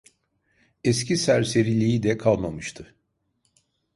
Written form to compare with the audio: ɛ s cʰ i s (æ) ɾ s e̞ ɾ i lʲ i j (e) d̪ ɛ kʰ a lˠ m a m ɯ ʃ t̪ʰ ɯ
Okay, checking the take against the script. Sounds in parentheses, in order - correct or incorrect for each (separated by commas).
correct, incorrect